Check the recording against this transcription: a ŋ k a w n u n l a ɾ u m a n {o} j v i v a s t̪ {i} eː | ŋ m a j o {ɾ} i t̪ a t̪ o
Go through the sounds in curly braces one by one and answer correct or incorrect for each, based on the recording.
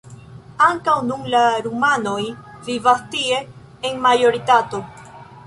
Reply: correct, correct, correct

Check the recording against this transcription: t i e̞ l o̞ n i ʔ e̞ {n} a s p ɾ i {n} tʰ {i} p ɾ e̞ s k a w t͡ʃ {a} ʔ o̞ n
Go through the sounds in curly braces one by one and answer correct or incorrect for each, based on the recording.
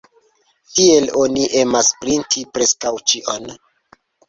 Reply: incorrect: m, correct, correct, incorrect: i

